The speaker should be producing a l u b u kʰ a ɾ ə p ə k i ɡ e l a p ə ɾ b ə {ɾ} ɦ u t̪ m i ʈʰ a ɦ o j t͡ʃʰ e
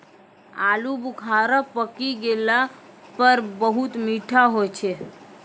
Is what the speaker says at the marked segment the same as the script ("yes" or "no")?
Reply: no